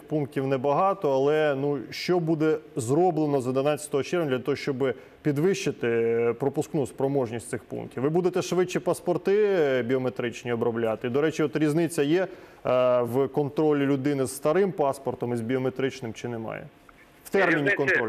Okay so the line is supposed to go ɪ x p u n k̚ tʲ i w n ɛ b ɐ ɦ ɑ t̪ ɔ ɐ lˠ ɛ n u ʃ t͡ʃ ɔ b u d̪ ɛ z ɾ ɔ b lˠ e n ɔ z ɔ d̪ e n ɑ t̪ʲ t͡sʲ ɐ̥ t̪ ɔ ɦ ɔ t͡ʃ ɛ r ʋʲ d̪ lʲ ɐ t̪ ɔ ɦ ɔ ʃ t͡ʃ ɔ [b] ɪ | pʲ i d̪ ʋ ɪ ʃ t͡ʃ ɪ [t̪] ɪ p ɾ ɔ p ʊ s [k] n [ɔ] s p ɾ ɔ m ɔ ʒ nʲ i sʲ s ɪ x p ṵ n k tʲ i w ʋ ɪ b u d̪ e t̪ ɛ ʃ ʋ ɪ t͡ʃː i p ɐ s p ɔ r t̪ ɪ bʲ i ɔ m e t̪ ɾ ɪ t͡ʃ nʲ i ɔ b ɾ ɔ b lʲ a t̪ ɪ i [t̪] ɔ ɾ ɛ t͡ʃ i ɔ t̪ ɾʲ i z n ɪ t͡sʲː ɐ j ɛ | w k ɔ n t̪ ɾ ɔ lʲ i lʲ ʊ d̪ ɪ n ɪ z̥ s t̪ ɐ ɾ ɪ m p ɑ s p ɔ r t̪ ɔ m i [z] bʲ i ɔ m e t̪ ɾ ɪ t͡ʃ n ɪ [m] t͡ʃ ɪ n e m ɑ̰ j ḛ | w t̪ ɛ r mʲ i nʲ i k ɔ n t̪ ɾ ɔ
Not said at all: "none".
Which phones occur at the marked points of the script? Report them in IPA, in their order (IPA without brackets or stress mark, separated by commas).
b, t̪, k, u, d̪, z, m